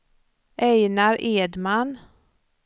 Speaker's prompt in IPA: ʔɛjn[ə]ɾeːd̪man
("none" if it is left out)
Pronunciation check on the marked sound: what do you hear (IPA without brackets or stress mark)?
a